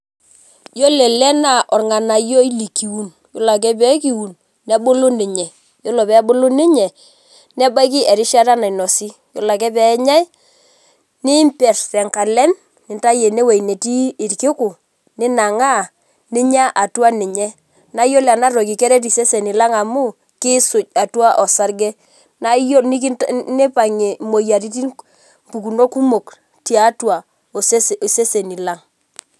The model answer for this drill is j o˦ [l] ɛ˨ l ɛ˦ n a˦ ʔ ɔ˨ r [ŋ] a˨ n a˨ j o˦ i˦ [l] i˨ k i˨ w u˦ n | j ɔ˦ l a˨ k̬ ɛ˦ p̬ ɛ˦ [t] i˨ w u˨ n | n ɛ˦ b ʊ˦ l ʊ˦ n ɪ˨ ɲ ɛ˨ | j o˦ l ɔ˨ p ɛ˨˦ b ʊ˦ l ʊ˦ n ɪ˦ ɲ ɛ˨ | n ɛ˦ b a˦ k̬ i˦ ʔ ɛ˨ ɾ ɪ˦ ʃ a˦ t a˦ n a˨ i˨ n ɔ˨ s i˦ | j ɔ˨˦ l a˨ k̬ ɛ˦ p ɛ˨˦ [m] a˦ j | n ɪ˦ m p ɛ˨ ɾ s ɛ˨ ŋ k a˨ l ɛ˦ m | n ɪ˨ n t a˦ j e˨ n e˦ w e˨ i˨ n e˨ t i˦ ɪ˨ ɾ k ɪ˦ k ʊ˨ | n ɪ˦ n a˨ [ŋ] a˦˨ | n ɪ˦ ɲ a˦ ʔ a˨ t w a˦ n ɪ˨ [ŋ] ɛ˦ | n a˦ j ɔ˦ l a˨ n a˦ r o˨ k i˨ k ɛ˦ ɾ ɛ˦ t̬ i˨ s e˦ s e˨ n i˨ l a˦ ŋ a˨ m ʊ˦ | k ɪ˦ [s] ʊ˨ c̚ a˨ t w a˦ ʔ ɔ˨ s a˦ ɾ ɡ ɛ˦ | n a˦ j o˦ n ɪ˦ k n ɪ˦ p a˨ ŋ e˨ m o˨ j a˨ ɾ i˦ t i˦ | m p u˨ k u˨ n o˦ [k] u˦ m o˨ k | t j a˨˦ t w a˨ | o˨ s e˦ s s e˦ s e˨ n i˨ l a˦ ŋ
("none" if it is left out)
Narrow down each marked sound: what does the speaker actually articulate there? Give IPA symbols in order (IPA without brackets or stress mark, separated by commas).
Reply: l, ŋ, l, k, ɲ, ŋ, ɲ, s, k